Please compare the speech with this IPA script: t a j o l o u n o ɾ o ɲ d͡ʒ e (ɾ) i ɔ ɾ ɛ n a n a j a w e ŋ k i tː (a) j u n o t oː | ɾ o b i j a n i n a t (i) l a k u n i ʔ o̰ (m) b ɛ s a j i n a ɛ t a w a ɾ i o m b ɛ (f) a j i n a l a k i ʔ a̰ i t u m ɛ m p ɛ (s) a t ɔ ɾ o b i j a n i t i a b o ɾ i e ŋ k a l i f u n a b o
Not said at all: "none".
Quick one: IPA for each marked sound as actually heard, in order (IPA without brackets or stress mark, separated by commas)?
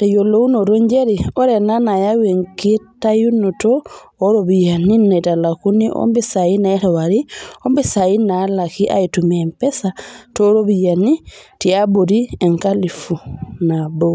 ɾ, a, a, m, s, s